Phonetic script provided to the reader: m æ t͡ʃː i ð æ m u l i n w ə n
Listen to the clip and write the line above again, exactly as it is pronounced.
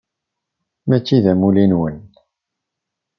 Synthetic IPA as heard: m æ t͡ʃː i ð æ m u l i n w ə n